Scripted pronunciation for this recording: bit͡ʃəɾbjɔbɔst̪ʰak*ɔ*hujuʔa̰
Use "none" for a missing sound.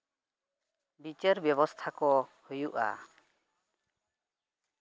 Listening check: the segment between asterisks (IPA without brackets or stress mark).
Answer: ɔ